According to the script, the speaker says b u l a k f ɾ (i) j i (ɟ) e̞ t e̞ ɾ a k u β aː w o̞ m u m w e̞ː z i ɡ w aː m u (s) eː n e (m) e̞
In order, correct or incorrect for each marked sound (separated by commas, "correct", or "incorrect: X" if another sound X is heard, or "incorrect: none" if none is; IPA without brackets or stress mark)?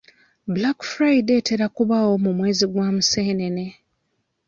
incorrect: a, incorrect: d, correct, incorrect: n